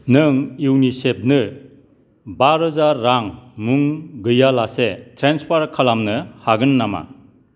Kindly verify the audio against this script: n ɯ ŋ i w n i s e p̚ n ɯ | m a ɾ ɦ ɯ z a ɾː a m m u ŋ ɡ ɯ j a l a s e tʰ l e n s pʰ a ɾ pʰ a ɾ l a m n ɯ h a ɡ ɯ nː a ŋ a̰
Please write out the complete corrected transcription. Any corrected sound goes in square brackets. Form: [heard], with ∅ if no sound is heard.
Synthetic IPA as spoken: n ɯ ŋ i w n i s e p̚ n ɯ | [b] a ɾ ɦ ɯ z a ɾː a [ŋ] m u ŋ ɡ ɯ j a l a s e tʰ [ɾ] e n s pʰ a ɾ [kʰ] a [∅] l a m n ɯ h a ɡ ɯ nː a [m] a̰